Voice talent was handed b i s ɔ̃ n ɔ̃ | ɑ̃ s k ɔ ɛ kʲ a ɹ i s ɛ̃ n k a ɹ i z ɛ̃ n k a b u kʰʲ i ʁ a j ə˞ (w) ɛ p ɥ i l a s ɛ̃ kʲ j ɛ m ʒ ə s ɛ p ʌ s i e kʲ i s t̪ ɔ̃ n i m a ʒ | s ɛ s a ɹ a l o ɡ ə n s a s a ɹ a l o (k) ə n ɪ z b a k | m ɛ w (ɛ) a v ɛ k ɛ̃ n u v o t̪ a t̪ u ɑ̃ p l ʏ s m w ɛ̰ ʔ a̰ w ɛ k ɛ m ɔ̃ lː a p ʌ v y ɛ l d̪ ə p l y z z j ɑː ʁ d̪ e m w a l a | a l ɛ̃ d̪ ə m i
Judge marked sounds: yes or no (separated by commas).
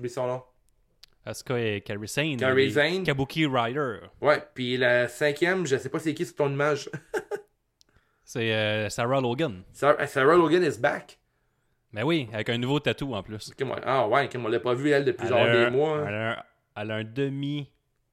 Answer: yes, no, no